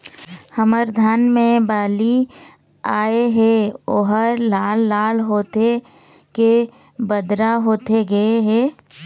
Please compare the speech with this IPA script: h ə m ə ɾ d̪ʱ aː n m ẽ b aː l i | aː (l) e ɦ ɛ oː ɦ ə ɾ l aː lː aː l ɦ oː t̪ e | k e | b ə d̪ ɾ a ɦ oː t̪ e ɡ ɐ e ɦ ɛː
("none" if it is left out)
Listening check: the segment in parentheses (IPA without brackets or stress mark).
none